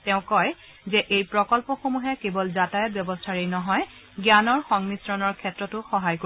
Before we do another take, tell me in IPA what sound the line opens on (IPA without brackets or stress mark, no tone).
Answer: t